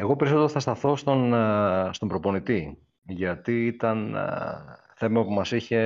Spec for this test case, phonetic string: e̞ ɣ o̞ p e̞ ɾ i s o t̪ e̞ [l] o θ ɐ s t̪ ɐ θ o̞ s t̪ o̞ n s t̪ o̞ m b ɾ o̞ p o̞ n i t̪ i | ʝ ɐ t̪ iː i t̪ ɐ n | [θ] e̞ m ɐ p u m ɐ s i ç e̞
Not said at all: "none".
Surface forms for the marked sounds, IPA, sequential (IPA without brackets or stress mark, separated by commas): ɾ, θ